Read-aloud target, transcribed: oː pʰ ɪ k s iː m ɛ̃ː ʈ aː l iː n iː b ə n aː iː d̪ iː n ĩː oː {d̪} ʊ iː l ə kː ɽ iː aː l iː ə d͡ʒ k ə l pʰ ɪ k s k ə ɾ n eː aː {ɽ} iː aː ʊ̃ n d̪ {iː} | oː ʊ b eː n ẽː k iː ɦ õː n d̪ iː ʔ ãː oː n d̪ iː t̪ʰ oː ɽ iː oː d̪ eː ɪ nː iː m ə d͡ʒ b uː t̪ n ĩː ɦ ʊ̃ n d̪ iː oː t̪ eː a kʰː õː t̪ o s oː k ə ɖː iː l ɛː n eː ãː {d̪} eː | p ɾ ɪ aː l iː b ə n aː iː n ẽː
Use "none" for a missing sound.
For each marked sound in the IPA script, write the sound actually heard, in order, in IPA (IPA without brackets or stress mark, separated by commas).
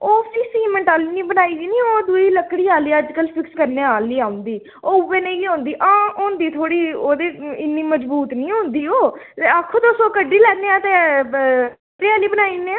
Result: d̪, l, iː, t̪